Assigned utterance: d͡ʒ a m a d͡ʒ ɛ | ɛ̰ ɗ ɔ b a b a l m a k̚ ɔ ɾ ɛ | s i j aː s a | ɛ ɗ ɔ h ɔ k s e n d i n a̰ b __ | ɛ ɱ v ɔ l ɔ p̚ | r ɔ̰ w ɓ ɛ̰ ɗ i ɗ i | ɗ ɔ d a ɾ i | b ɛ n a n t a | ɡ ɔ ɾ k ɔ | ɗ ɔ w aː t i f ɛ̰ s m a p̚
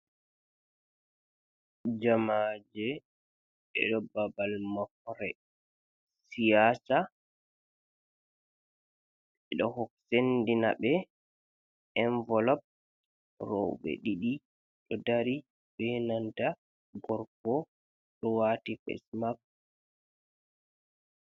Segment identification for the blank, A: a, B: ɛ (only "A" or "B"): B